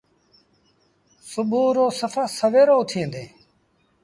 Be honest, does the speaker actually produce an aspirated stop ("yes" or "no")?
yes